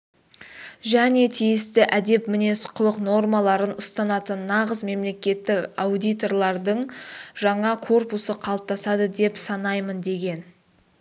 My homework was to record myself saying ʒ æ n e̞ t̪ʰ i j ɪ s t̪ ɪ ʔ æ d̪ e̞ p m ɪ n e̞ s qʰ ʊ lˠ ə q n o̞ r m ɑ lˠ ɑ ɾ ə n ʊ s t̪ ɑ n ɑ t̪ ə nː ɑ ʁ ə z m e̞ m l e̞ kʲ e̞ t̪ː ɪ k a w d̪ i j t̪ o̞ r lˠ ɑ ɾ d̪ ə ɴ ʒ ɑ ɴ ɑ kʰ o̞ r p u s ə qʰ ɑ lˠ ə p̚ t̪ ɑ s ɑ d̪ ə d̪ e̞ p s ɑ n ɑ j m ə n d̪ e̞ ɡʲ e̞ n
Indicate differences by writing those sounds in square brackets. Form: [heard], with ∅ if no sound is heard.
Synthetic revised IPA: ʒ æ n e̞ t̪ʰ i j ɪ s t̪ ɪ ʔ æ d̪ e̞ p m ɪ n e̞ s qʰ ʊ lˠ ə q n o̞ r m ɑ lˠ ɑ ɾ ə n ʊ s t̪ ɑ n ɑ t̪ ə nː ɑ ʁ ə z m e̞ m l e̞ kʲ e̞ t̪ː ɪ k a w d̪ i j t̪ o̞ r lˠ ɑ ɾ d̪ ə ɴ ʒ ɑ ɴ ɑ kʰ o̞ r p u s ə qʰ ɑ lˠ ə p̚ t̪ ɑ s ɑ d̪ ə d̪ e̞ p s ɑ n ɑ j m ə n d̪ e̞ ɡʲ e̞ n